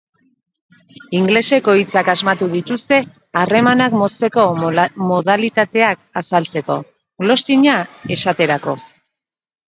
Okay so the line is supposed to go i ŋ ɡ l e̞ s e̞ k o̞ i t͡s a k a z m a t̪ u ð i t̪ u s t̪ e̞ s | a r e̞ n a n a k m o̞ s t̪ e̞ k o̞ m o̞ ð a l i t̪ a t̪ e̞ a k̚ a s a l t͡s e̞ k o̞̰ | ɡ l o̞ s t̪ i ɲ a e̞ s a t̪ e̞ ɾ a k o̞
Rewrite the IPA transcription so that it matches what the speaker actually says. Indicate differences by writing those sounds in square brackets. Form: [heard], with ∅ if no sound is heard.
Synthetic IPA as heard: i ŋ ɡ l e̞ s e̞ k o̞ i t͡s a k a z m a t̪ u ð i t̪ u s t̪ e̞ [∅] | a r e̞ [m] a n a k m o̞ s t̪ e̞ k o̞ m o̞ ð a l i t̪ a t̪ e̞ a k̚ a s a l t͡s e̞ k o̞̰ | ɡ l o̞ s t̪ i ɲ a e̞ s a t̪ e̞ ɾ a k o̞